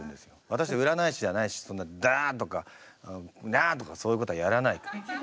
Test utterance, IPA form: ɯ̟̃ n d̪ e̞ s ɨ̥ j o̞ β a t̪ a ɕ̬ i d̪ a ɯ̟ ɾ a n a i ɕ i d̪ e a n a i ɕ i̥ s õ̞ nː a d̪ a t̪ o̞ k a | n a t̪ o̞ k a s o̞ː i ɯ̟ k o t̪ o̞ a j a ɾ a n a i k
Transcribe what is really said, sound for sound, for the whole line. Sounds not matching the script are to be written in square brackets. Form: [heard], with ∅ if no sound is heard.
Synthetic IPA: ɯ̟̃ n d̪ e̞ s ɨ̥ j o̞ β a t̪ a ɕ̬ i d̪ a ɯ̟ ɾ a n a i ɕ i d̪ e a n a i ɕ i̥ s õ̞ nː a d̪ a t̪ o̞ k a | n a t̪ o̞ k a s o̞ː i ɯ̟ k o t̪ o̞ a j a ɾ a n a i k

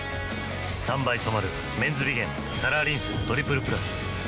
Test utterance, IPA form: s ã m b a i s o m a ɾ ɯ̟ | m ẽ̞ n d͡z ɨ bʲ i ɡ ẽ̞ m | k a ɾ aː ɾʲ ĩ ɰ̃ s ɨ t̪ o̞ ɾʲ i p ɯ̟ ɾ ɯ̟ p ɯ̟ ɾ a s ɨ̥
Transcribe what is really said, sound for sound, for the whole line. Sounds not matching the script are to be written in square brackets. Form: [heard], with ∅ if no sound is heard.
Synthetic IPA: s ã m b a i s o m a ɾ ɯ̟ | m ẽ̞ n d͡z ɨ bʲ i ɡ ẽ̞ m | k a ɾ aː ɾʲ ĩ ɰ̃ s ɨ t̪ o̞ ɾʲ i p ɯ̟ ɾ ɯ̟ p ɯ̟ ɾ a s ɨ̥

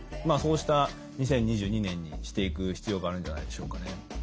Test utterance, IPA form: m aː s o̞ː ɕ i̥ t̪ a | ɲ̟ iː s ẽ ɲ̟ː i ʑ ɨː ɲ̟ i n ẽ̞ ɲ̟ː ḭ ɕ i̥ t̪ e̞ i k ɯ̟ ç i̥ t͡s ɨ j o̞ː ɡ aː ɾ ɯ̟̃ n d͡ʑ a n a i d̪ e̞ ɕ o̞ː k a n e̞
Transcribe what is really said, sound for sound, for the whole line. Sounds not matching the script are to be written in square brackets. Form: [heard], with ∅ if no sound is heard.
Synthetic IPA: m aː s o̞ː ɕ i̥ t̪ a | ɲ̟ [i] s ẽ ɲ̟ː i ʑ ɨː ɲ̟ i n ẽ̞ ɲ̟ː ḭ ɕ i̥ t̪ e̞ i k ɯ̟ ç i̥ t͡s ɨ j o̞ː ɡ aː ɾ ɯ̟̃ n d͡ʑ a n a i d̪ e̞ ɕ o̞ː k a n e̞

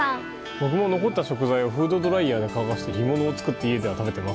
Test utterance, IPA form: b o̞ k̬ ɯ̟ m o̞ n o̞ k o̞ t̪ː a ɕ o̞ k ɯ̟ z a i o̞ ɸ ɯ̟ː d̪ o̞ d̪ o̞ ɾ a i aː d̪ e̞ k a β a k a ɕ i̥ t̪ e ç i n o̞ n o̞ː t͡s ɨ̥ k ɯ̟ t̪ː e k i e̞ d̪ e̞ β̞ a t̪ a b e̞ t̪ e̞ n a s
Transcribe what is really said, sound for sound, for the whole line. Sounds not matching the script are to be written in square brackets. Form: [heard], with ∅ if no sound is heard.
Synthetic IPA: b o̞ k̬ ɯ̟ m o̞ n o̞ k o̞ t̪ː a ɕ o̞ k ɯ̟ z a i o̞ ɸ ɯ̟ː d̪ o̞ d̪ o̞ ɾ a i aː d̪ e̞ k a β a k a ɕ i̥ t̪ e ç i [m] o̞ n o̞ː t͡s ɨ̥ k ɯ̟ t̪ː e [∅] i e̞ d̪ e̞ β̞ a t̪ a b e̞ t̪ e̞ [m] a s

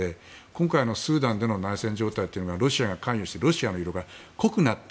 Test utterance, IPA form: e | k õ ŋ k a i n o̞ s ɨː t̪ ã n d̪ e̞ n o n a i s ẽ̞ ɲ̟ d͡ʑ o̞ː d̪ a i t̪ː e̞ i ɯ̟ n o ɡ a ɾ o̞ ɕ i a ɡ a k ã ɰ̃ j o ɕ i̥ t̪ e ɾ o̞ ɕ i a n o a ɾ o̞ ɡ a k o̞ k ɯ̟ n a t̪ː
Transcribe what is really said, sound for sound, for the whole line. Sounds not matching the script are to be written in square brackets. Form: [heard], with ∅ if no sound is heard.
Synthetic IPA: e | k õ ŋ k a i n o̞ s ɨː [d̪] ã n d̪ e̞ n o n a i s ẽ̞ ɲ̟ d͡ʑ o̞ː [t̪] a i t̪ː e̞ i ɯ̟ n o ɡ a ɾ o̞ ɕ i a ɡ a k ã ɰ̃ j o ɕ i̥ t̪ e ɾ o̞ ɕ i a n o [i] ɾ o̞ ɡ a k o̞ k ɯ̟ n a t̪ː

